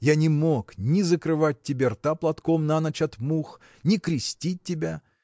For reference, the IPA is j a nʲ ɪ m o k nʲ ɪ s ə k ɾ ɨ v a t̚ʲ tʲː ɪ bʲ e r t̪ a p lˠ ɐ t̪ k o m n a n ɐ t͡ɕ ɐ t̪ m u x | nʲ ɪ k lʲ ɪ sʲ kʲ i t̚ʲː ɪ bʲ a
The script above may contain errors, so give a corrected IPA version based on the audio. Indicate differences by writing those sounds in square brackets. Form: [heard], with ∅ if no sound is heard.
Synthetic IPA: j a nʲ ɪ m o k nʲ ɪ [z] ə k ɾ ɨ v a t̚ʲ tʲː ɪ bʲ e r t̪ a p lˠ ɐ t̪ k o m n a n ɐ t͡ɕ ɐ t̪ m u x | nʲ ɪ k [ɾʲ] ɪ sʲ [tʲ] i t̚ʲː ɪ bʲ a